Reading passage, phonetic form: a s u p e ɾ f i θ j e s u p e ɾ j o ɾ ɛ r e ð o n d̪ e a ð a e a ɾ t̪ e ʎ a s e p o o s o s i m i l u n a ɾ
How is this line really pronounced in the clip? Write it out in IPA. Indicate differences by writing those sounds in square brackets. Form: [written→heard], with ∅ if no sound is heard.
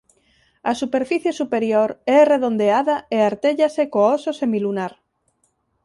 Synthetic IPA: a s u p e ɾ f i θ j e s u p e ɾ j o ɾ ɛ r e ð o n d̪ e a ð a e a ɾ t̪ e ʎ a s e [p→k] o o s o s [i→e] m i l u n a ɾ